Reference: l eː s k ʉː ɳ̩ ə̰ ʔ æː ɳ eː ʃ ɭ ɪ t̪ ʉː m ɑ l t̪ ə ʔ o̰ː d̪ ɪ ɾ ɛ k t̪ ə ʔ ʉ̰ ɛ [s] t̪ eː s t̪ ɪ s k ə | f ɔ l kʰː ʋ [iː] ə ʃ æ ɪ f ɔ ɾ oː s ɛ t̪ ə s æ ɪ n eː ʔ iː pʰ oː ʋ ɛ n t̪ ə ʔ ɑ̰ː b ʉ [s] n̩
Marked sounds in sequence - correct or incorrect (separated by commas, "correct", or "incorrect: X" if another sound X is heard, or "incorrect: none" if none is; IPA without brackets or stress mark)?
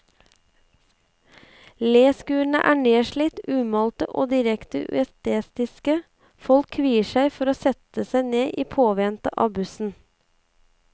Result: correct, correct, correct